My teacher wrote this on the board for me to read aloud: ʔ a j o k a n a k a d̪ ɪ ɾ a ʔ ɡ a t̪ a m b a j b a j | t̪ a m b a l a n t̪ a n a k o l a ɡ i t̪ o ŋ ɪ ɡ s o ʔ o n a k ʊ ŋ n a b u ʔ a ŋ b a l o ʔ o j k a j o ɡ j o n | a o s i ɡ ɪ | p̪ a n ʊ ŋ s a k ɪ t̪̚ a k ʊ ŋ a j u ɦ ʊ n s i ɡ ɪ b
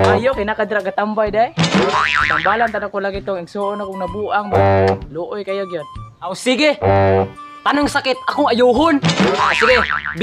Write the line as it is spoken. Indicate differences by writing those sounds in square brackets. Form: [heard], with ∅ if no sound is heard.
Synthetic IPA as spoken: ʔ a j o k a n a k a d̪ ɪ ɾ a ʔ ɡ a t̪ a m b a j [d] a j | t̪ a m b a l a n t̪ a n a k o l a ɡ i t̪ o ŋ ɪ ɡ s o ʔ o n a k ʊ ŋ n a b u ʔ a ŋ b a l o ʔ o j k a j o ɡ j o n | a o s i ɡ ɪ | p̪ a n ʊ ŋ s a k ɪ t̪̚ a k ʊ ŋ a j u ɦ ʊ n s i ɡ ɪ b